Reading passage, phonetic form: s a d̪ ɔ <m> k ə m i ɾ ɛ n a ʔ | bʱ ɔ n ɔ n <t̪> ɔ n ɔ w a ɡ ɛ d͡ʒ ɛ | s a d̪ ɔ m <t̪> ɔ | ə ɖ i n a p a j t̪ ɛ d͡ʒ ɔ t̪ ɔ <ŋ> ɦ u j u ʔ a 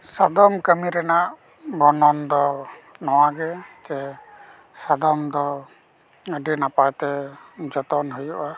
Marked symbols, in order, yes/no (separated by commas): yes, no, no, no